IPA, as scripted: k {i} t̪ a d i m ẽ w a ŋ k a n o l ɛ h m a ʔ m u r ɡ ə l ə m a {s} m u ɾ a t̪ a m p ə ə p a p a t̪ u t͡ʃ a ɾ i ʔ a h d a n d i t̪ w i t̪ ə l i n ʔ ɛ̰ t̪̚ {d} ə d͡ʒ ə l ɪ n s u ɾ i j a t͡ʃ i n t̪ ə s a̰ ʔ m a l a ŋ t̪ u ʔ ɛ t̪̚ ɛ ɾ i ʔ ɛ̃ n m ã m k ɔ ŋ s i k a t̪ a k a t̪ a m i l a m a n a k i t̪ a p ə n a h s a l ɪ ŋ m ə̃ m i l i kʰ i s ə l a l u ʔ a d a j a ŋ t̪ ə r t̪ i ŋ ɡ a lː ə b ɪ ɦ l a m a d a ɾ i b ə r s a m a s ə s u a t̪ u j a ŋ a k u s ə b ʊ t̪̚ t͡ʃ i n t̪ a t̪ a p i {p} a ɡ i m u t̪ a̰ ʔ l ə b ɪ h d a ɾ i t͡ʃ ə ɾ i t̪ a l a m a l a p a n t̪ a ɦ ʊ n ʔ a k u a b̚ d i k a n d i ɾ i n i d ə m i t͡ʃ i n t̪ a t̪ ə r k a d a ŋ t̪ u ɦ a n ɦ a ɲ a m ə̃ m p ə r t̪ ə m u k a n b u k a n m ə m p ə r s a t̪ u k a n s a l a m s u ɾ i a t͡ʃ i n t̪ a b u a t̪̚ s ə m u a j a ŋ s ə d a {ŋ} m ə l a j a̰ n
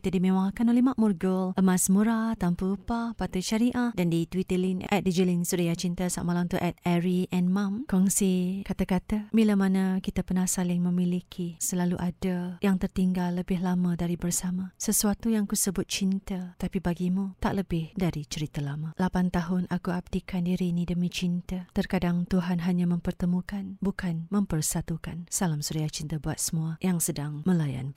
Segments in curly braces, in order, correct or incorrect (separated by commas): correct, correct, correct, incorrect, correct